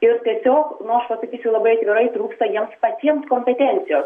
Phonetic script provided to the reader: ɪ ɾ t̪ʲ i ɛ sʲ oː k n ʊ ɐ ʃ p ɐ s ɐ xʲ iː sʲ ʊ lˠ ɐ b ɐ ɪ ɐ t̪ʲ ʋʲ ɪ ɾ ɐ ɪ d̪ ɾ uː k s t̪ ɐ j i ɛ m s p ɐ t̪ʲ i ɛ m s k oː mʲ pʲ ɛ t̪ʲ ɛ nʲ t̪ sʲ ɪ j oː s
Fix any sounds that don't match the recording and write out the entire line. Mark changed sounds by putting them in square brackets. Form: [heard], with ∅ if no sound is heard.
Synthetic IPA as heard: ɪ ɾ t̪ʲ i ɛ sʲ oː k n ʊ ɐ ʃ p ɐ s ɐ [kʲ] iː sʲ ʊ lˠ ɐ b ɐ ɪ ɐ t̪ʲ ʋʲ ɪ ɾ ɐ ɪ [t̪] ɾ uː k s t̪ ɐ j i ɛ m s p ɐ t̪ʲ i ɛ m s k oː mʲ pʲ ɛ t̪ʲ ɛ nʲ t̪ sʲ ɪ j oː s

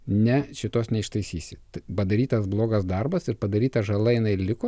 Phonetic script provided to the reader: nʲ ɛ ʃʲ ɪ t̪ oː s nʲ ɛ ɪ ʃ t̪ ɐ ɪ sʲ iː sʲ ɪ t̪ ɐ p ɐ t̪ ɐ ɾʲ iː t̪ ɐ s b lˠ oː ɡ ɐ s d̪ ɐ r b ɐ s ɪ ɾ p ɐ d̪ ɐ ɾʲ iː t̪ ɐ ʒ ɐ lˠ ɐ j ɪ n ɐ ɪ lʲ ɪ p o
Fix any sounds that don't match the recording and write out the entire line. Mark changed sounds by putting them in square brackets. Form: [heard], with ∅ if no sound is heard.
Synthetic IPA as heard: nʲ ɛ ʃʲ ɪ t̪ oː s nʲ ɛ ɪ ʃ t̪ ɐ ɪ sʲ iː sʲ ɪ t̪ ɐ p ɐ [d̪] ɐ ɾʲ iː t̪ ɐ s b lˠ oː ɡ ɐ s d̪ ɐ r b ɐ s ɪ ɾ p ɐ d̪ ɐ ɾʲ iː t̪ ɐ ʒ ɐ lˠ ɐ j ɪ n ɐ ɪ lʲ ɪ [k] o

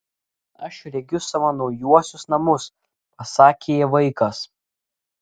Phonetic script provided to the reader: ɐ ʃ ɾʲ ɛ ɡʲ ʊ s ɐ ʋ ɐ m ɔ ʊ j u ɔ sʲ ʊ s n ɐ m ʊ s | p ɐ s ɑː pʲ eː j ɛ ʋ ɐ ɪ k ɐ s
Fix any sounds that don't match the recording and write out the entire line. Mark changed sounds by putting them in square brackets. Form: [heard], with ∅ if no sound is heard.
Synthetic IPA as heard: ɐ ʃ ɾʲ ɛ ɡʲ ʊ s ɐ ʋ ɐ [n] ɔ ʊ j u ɔ sʲ ʊ s n ɐ m ʊ s | p ɐ s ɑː [kʲ] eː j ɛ ʋ ɐ ɪ k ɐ s

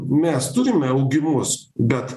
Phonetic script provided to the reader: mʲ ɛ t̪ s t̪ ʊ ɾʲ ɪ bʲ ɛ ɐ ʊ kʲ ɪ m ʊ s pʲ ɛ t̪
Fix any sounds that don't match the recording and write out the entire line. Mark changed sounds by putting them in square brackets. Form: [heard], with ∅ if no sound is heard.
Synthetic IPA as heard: mʲ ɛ [∅] s t̪ ʊ ɾʲ ɪ [mʲ] ɛ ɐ ʊ [ɡʲ] ɪ m ʊ s [bʲ] ɛ t̪

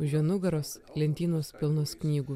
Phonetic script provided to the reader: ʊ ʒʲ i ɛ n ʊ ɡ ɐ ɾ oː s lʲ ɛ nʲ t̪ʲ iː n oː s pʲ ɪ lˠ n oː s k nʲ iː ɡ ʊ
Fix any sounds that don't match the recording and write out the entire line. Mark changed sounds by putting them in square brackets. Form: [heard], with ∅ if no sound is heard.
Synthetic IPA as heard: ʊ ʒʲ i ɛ n ʊ ɡ ɐ ɾ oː s lʲ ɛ nʲ t̪ʲ iː n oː s pʲ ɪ lˠ n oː s k nʲ iː ɡ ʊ

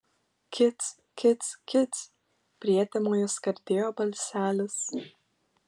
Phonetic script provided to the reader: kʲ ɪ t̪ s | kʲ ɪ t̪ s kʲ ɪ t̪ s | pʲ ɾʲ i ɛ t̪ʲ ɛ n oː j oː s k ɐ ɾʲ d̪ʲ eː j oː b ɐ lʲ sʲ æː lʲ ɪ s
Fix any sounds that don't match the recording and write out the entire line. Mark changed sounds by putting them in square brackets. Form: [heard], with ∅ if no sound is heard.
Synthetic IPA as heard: kʲ ɪ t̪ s | kʲ ɪ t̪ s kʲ ɪ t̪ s | pʲ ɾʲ i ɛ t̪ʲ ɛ [m] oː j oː s k ɐ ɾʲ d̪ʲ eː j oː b ɐ lʲ sʲ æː lʲ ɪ s

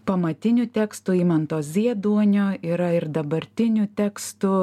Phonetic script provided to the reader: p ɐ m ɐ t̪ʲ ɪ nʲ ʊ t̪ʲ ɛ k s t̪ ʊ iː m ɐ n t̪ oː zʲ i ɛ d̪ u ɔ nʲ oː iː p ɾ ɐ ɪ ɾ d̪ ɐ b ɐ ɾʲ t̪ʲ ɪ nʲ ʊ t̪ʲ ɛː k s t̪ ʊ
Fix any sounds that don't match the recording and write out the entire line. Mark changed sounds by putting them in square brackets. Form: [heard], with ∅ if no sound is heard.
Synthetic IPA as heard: p ɐ m ɐ t̪ʲ ɪ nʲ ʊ t̪ʲ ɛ k s t̪ ʊ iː m ɐ n t̪ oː zʲ i ɛ d̪ u ɔ nʲ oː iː [∅] ɾ ɐ ɪ ɾ d̪ ɐ b ɐ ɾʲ t̪ʲ ɪ nʲ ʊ t̪ʲ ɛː k s t̪ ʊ

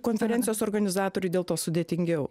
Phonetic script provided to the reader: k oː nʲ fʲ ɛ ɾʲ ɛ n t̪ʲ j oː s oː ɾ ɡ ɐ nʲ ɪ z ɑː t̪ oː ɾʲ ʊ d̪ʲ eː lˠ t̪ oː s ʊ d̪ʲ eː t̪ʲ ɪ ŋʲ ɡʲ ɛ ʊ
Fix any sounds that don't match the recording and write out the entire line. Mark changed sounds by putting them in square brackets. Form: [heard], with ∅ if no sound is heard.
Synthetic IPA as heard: k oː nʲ fʲ ɛ ɾʲ ɛ n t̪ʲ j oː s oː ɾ ɡ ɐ nʲ ɪ z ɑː t̪ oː ɾʲ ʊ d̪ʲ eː lˠ t̪ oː s ʊ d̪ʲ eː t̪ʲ ɪ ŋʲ ɡʲ ɛ ʊ

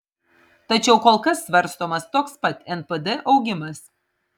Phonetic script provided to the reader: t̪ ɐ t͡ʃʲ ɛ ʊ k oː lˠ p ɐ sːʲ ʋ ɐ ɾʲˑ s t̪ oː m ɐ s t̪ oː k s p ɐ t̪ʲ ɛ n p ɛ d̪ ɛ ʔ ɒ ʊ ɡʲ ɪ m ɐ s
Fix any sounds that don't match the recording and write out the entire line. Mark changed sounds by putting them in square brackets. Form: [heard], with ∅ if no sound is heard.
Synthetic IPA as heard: t̪ ɐ t͡ʃʲ ɛ ʊ k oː lˠ [k] ɐ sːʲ ʋ ɐ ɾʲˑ s t̪ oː m ɐ s t̪ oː k s p ɐ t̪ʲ ɛ n p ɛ d̪ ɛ ʔ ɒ ʊ ɡʲ ɪ m ɐ s

